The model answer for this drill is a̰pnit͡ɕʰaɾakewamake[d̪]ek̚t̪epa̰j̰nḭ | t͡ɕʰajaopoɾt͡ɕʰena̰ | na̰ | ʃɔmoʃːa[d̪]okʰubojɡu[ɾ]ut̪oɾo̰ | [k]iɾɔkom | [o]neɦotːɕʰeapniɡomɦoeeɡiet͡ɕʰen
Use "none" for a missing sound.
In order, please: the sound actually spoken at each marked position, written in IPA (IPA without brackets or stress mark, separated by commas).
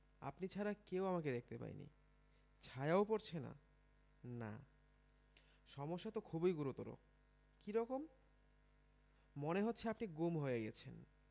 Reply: d̪, t̪, ɾ, k, o